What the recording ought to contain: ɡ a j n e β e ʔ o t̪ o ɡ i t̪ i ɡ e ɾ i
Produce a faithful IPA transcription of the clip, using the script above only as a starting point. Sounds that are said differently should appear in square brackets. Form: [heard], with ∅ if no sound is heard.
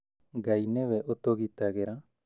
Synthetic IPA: ɡ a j n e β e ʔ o t̪ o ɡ i t̪ [a] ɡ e ɾ [a]